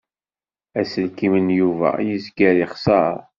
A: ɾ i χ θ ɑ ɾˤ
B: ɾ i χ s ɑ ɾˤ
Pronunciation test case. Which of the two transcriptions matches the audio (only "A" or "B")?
B